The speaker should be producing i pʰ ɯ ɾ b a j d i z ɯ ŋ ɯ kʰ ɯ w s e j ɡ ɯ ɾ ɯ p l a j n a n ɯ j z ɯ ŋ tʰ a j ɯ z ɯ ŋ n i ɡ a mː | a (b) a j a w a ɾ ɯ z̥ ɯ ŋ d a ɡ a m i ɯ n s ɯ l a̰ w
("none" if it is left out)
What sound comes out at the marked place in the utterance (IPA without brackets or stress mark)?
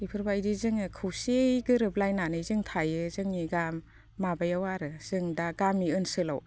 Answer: b